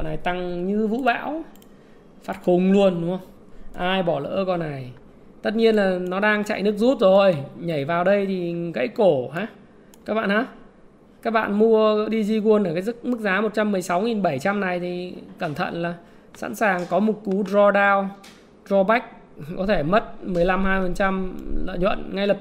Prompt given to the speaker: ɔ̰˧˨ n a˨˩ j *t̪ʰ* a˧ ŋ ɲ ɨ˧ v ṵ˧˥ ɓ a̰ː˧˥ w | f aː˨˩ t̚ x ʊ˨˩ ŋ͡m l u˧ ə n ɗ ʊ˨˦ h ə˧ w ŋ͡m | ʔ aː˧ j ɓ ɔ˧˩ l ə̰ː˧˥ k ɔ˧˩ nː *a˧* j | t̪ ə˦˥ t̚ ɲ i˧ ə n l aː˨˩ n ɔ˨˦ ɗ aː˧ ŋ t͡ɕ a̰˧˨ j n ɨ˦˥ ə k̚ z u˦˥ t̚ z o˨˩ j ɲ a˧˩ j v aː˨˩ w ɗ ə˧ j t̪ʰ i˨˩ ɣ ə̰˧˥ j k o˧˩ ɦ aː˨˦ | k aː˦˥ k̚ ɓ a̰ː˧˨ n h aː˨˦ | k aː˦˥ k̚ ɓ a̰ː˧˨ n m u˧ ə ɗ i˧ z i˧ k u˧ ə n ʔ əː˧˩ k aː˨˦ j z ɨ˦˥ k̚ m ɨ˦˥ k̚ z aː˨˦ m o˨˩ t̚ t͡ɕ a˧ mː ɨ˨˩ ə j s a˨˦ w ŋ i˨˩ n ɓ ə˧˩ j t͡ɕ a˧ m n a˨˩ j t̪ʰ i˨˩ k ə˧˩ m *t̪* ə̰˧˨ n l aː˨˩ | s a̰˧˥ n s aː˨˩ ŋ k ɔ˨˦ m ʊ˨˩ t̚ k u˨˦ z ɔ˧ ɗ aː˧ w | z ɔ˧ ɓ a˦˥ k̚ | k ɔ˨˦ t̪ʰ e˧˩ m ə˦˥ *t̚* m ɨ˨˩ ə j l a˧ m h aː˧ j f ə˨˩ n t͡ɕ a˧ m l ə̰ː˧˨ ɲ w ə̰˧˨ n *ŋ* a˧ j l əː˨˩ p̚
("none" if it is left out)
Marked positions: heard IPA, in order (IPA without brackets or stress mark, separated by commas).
t̪, a˨˩, t̪ʰ, t̚, ŋ